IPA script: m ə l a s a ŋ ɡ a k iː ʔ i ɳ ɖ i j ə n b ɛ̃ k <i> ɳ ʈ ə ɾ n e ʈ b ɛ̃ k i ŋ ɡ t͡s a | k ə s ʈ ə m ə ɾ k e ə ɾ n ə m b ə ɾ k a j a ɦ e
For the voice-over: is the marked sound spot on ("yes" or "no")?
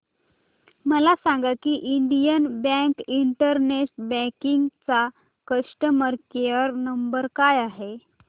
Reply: yes